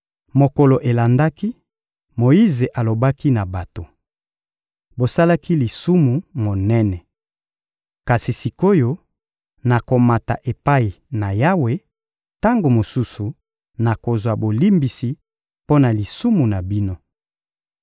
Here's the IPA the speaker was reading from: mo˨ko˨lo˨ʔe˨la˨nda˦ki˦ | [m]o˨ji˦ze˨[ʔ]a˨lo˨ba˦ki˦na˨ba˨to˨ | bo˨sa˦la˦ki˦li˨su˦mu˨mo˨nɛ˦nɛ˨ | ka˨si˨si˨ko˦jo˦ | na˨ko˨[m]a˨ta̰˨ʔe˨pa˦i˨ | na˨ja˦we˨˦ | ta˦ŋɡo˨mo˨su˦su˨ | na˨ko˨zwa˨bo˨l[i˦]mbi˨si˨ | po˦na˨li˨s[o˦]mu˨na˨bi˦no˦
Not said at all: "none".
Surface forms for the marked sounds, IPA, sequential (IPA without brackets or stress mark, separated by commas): m, ʔ, m, i˦, u˦